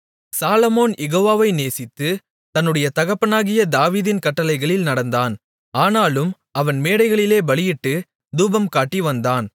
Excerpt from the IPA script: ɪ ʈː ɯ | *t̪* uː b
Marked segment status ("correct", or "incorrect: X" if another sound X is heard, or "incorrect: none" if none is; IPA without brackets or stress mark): incorrect: d̪